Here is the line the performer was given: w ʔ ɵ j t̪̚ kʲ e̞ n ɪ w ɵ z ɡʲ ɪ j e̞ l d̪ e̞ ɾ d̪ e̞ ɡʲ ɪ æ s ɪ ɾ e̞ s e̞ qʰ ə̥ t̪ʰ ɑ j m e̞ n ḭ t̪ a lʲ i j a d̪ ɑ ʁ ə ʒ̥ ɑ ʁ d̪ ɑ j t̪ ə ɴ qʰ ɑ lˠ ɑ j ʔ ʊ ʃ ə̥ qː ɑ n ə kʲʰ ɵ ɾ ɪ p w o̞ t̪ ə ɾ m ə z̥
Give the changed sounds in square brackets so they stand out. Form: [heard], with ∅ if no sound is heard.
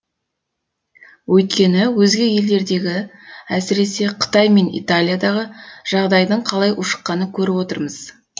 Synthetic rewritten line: w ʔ ɵ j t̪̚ kʲ e̞ n ɪ w ɵ z ɡʲ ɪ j e̞ l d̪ e̞ ɾ d̪ e̞ ɡʲ ɪ æ s ɪ ɾ e̞ s e̞ qʰ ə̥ [t̪] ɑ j m e̞ n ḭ t̪ a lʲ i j a d̪ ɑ ʁ ə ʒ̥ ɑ ʁ d̪ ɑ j [d̪] ə ɴ qʰ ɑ lˠ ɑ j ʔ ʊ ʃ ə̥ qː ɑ n ə kʲʰ ɵ ɾ ɪ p w o̞ t̪ ə ɾ m ə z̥